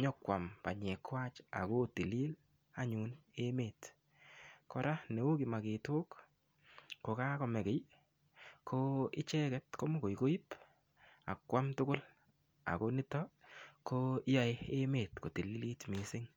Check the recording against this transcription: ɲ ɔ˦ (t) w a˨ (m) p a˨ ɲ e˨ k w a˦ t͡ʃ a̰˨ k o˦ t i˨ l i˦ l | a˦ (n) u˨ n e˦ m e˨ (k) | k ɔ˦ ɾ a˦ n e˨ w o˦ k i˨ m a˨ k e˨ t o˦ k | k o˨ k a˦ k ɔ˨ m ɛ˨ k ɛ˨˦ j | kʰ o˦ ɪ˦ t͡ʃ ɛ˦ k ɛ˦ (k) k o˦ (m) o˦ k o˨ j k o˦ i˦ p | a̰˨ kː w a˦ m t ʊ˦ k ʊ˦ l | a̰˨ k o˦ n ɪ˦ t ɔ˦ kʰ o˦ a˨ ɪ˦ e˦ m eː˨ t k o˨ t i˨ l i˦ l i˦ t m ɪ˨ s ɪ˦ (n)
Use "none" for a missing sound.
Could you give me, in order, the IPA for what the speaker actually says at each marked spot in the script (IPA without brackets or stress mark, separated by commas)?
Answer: k, m, ɲ, t, t, m, ŋ